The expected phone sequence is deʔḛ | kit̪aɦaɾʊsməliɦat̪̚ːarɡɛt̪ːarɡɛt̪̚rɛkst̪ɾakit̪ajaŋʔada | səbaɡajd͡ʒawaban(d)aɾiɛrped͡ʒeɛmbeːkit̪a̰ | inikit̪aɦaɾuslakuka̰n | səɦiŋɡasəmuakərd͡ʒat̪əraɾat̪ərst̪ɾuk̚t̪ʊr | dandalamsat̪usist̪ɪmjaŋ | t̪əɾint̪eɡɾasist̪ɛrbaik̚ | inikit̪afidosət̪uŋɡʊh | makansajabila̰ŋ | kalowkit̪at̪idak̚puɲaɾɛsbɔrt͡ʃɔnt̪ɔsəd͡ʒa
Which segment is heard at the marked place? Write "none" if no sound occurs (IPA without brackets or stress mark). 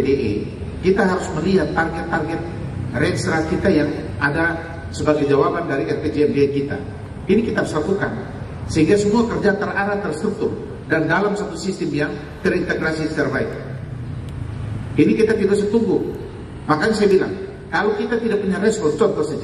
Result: d